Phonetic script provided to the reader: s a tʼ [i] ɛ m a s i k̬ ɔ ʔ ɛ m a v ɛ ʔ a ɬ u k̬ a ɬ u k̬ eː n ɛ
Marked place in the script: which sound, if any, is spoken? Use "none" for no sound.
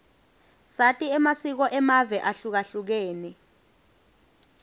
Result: i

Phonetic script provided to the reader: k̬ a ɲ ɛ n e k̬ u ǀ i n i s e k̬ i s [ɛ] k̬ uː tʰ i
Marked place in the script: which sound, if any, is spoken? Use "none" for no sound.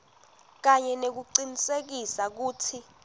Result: a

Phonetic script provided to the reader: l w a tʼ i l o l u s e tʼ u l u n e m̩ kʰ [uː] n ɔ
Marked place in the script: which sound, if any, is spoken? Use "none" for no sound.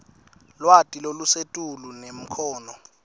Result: ɔː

